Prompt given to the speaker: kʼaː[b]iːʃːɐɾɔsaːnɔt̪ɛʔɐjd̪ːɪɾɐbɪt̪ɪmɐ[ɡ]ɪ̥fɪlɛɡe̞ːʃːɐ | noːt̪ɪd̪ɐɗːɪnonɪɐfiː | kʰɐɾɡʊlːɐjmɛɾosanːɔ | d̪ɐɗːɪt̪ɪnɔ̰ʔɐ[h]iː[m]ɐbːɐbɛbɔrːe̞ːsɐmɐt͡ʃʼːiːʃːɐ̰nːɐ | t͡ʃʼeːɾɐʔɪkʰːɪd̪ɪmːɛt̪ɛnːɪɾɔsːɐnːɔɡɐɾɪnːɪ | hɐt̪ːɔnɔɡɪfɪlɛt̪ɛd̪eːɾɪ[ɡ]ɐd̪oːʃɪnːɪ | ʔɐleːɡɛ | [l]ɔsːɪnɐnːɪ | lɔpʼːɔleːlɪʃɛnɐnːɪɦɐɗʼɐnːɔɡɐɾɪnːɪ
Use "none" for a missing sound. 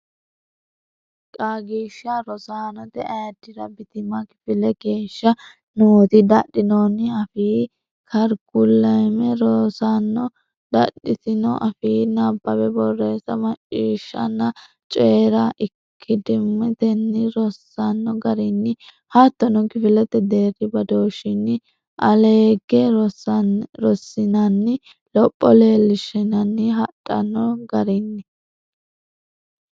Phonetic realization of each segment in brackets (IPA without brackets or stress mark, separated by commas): ɡ, k, f, n, b, ɾ